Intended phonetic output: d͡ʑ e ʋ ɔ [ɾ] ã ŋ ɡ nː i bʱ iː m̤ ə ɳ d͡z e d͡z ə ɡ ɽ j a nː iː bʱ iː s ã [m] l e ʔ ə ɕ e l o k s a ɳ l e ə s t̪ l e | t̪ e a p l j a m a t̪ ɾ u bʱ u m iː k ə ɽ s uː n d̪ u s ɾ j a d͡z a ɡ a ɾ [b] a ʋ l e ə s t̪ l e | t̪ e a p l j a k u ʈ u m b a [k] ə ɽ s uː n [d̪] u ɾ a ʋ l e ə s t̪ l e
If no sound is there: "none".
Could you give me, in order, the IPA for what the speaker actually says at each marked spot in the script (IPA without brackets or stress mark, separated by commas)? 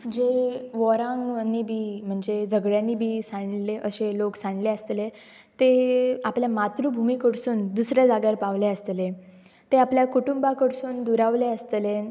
ɾ, ɳ, p, k, d̪